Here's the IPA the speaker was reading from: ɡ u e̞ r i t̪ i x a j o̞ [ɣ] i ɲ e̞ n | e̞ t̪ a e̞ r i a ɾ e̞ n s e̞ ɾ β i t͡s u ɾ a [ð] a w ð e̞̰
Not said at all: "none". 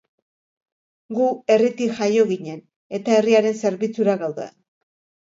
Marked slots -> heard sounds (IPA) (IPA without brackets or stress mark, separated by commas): ɣ, ɣ